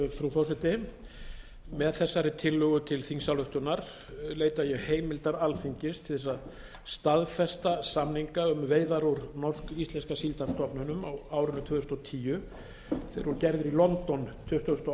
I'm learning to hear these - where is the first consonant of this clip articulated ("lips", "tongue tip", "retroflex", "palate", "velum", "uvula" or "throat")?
lips